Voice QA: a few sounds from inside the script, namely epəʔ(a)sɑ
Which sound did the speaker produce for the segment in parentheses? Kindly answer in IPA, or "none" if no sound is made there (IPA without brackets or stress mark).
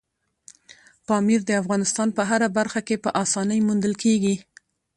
ɑ